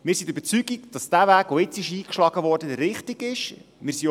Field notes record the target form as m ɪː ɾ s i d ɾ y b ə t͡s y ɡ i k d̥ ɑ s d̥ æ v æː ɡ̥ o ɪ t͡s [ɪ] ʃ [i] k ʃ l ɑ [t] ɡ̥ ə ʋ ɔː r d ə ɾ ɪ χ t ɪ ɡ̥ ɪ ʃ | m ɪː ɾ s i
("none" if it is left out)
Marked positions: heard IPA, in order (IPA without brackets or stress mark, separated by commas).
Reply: ɪ, iː, none